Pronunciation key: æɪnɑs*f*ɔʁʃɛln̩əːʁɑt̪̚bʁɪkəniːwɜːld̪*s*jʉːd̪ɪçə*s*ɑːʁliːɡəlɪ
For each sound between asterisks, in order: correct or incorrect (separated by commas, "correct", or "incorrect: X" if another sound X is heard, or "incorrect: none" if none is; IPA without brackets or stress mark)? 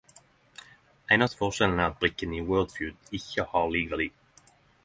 correct, incorrect: f, incorrect: h